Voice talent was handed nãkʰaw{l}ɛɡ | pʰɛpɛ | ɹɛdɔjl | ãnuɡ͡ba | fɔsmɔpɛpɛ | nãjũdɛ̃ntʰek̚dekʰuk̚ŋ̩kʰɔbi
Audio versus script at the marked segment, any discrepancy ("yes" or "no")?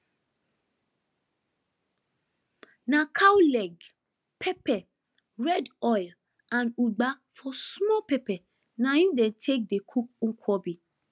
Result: no